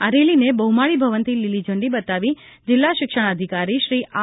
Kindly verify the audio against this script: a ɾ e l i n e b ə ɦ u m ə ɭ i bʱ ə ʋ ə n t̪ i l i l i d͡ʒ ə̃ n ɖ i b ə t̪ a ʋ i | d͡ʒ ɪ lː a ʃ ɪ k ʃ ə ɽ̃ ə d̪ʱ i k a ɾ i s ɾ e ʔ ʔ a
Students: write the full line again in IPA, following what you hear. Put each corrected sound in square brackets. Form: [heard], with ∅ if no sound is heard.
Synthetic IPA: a ɾ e l i n e b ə ɦ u m [a] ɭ i bʱ ə ʋ ə n t̪ i l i l i d͡ʒ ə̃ [ɳ] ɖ i b ə t̪ a ʋ i | d͡ʒ ɪ lː a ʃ ɪ k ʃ ə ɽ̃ ə d̪ʱ i k a ɾ i [ʃ] ɾ [i] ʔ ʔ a